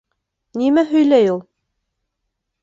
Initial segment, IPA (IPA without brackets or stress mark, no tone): n